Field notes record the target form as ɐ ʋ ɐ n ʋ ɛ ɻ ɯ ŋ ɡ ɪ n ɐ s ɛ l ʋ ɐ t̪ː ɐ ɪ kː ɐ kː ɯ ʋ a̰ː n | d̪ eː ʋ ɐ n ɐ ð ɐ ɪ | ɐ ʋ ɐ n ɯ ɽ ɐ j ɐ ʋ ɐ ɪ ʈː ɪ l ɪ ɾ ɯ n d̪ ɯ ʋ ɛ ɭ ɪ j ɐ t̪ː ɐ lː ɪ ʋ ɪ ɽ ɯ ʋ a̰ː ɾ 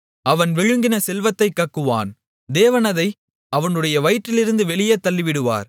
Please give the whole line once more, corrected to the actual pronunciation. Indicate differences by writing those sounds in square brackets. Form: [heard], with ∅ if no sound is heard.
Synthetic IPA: ɐ ʋ ɐ n ʋ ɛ ɻ ɯ ŋ ɡ ɪ n ɐ s ɛ l ʋ ɐ t̪ː ɐ ɪ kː ɐ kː ɯ ʋ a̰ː n | d̪ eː ʋ ɐ n ɐ ð ɐ ɪ | ɐ ʋ ɐ n ɯ ɽ ɐ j ɐ ʋ ɐ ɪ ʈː ɪ l ɪ ɾ ɯ n d̪ ɯ ʋ ɛ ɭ ɪ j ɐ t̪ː ɐ lː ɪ ʋ ɪ ɽ ɯ ʋ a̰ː ɾ